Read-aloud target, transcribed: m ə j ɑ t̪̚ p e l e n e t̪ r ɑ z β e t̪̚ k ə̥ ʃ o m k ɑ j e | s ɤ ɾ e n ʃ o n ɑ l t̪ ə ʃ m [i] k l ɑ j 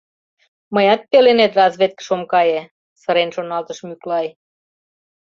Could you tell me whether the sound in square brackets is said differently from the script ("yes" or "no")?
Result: yes